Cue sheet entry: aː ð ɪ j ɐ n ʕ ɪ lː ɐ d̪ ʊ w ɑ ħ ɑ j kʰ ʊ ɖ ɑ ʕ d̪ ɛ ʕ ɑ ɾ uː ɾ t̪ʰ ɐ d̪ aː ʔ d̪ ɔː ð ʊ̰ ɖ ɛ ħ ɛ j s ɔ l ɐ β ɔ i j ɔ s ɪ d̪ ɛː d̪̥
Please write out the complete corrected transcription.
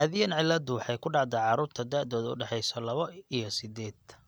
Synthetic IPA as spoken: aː ð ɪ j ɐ n ʕ ɪ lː ɐ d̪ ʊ w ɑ ħ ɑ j kʰ ʊ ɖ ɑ ʕ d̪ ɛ ʕ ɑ ɾ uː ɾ t̪ʰ ɐ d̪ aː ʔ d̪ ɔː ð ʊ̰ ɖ ɛ ħ ɛ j s ɔ l ɐ β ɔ i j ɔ s ɪ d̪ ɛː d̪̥